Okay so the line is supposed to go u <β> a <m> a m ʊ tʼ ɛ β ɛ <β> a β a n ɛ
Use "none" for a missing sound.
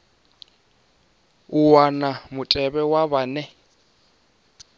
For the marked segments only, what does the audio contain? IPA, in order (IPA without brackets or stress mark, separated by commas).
w, n, w